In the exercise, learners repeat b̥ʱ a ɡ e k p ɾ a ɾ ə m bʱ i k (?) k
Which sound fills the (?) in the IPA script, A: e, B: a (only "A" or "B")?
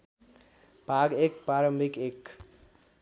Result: A